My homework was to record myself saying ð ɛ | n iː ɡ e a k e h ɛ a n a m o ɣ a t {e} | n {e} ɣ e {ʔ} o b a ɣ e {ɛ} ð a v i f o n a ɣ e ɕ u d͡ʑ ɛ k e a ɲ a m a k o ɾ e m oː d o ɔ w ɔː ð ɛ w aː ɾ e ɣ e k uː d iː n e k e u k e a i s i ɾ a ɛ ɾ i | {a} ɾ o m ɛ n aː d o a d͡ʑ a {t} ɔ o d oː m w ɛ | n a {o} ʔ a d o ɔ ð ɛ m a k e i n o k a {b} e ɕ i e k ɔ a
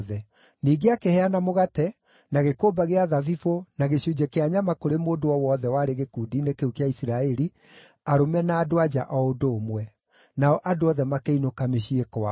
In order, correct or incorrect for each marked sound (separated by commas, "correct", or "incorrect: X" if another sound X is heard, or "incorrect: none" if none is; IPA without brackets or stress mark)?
incorrect: ɛ, incorrect: a, incorrect: k, incorrect: a, correct, incorrect: ʔ, incorrect: ɔ, incorrect: m